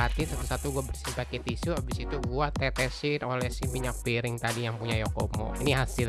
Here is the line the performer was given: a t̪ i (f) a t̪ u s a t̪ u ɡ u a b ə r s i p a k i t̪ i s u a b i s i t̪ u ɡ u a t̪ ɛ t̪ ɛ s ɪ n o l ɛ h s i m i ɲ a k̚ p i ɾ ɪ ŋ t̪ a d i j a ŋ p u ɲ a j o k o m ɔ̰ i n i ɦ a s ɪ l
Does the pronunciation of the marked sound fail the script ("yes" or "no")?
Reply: yes